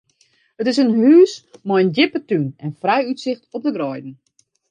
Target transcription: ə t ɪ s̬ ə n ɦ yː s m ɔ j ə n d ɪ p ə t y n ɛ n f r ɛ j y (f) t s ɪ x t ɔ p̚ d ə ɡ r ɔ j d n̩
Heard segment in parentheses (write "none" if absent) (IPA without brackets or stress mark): none